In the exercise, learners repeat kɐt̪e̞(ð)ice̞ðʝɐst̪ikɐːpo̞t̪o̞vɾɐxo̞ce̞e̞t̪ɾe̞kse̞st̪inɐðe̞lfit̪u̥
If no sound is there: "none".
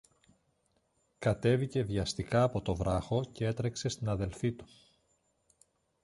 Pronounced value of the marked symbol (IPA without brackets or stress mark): v